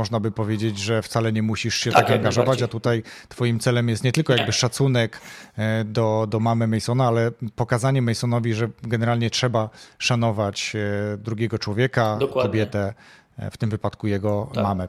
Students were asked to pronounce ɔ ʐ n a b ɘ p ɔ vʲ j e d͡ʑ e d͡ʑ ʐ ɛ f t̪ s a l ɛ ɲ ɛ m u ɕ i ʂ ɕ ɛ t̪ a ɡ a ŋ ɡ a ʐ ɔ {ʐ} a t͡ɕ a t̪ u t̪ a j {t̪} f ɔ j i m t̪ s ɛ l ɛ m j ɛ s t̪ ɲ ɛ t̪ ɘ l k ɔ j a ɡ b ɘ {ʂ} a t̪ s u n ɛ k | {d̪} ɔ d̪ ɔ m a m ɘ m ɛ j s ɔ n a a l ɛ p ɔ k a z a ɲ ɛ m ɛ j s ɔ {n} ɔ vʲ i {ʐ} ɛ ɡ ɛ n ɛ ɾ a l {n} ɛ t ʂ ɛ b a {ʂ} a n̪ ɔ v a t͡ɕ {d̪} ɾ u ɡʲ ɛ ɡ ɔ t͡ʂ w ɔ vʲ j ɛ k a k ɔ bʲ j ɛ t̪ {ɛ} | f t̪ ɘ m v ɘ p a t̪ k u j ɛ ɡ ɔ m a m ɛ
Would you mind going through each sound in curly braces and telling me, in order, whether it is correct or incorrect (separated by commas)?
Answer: incorrect, correct, correct, correct, correct, correct, incorrect, correct, correct, correct